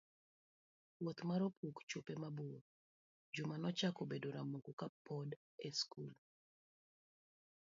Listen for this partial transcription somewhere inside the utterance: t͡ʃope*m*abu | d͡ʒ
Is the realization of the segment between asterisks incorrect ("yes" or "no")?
no